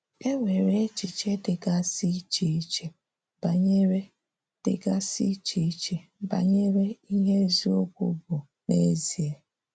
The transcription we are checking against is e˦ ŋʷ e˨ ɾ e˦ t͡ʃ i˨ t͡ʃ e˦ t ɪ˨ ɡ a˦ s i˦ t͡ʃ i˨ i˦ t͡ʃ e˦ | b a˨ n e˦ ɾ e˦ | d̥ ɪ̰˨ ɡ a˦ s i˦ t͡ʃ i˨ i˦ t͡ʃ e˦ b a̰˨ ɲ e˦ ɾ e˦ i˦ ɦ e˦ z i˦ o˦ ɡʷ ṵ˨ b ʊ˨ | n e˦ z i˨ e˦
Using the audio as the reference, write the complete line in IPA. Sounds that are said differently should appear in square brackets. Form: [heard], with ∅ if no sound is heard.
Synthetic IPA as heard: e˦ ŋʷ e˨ ɾ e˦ t͡ʃ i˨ t͡ʃ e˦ [d] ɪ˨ ɡ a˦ s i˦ t͡ʃ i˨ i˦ t͡ʃ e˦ | b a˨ [ɲ] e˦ ɾ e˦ | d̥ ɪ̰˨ ɡ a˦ s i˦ t͡ʃ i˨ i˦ t͡ʃ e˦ b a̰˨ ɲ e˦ ɾ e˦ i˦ ɦ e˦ z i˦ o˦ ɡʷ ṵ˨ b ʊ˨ | n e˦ z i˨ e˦